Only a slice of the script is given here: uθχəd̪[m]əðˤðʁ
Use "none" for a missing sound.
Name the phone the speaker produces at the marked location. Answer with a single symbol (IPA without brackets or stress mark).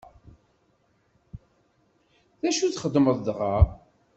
m